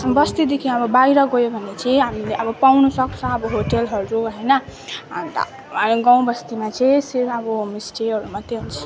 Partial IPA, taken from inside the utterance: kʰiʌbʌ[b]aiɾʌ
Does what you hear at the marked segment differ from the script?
no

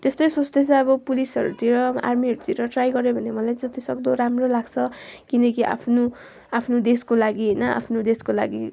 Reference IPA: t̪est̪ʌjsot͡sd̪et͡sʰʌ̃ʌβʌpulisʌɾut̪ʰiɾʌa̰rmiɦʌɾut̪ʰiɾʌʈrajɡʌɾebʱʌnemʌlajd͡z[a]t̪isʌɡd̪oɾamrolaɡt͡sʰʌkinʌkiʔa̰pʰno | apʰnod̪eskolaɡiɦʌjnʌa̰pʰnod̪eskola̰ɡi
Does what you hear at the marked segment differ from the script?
yes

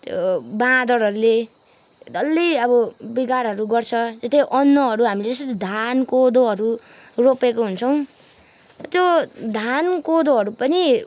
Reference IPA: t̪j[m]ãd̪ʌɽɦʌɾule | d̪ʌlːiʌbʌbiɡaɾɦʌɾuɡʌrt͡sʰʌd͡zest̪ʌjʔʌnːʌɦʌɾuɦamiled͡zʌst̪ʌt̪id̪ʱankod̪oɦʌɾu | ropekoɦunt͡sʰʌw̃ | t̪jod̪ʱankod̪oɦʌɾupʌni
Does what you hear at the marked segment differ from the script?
yes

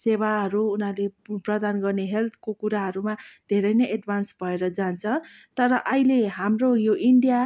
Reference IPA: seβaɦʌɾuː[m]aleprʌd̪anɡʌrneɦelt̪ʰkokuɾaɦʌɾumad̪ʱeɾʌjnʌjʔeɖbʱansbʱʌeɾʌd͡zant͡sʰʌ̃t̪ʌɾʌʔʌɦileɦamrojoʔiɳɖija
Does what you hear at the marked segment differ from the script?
yes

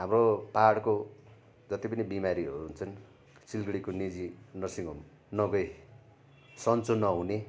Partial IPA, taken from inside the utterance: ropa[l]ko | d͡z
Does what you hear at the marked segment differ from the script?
yes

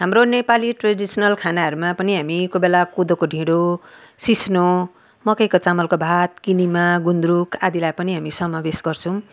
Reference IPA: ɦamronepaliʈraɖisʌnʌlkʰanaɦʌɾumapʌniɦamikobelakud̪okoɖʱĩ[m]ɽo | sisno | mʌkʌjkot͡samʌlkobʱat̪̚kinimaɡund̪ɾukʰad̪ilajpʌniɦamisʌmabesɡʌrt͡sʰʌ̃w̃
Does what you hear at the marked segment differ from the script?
yes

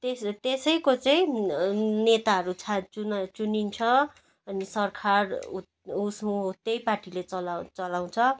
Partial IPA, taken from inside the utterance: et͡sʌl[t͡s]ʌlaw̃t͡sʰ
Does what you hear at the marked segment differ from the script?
no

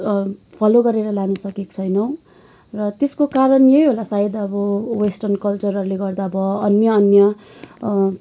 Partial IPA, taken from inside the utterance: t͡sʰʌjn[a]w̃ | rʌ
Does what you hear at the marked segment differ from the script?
yes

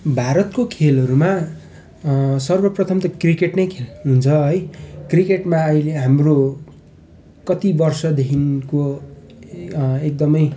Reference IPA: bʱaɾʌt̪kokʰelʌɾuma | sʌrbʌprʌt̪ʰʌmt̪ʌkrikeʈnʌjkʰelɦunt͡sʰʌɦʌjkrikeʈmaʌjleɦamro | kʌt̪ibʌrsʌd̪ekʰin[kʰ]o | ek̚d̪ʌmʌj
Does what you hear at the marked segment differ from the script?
yes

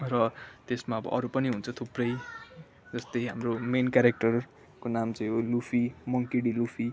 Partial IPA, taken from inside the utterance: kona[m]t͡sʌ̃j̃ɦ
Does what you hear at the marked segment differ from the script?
no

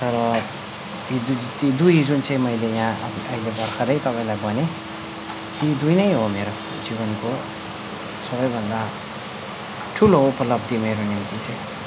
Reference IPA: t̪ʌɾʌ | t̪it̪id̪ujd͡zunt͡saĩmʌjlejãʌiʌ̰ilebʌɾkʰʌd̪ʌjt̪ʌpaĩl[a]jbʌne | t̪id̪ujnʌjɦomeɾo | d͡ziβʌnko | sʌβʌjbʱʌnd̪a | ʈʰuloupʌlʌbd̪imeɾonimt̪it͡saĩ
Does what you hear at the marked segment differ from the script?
no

